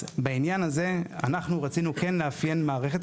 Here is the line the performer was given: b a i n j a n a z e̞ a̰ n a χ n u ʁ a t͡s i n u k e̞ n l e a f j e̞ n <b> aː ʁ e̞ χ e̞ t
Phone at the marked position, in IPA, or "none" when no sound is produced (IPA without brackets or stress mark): m